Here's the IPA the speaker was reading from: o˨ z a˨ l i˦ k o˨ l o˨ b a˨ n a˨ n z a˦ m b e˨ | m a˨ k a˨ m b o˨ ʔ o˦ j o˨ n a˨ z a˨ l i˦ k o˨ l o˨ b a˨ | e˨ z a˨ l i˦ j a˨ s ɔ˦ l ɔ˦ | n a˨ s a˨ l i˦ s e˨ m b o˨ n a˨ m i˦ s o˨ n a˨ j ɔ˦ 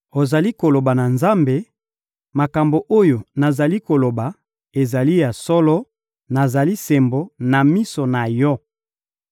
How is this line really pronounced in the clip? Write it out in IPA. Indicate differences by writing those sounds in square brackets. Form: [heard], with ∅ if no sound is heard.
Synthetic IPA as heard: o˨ z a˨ l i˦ k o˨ l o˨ b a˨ n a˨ n z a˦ m b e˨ | m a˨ k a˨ m b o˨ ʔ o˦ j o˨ n a˨ z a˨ l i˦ k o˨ l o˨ b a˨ | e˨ z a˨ l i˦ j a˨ s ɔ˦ l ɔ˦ | n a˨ [z] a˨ l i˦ s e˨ m b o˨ n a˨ m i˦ s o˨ n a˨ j ɔ˦